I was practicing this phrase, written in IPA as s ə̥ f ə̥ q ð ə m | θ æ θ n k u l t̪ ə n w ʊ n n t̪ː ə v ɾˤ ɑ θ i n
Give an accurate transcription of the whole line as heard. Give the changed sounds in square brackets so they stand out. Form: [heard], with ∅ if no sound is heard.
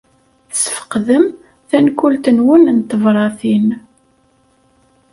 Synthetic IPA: s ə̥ f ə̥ q ð ə m | θ æ [∅] n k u l t̪ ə n w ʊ n n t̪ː ə v ɾˤ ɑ θ i n